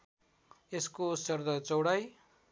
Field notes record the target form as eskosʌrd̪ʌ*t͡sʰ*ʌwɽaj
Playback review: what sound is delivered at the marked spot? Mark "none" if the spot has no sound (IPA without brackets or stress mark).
t͡s